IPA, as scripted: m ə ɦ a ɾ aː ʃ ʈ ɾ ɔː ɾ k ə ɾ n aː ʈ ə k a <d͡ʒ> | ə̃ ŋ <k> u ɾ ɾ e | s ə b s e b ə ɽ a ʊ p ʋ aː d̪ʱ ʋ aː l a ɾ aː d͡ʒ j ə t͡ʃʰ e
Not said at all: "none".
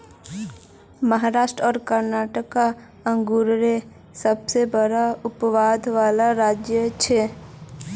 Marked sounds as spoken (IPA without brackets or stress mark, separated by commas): none, ɡ